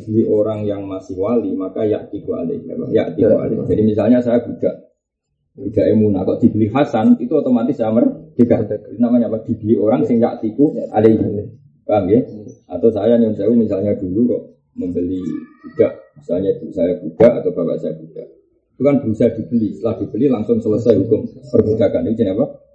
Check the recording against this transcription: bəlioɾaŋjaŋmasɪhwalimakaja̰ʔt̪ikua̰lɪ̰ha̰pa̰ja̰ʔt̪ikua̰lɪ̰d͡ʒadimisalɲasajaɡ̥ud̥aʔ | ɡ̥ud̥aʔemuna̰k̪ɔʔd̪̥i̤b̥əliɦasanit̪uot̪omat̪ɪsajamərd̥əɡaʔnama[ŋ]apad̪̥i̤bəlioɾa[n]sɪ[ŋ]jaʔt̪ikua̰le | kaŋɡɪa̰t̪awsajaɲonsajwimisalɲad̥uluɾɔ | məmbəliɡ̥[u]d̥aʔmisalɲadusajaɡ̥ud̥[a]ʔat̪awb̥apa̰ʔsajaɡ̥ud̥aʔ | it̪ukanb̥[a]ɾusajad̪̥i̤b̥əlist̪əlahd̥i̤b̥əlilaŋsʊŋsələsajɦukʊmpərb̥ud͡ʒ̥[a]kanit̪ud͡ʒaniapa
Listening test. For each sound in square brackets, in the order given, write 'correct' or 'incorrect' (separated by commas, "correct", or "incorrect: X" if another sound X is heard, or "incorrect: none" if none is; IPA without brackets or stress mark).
incorrect: ɲ, incorrect: ŋ, correct, correct, correct, incorrect: ə, correct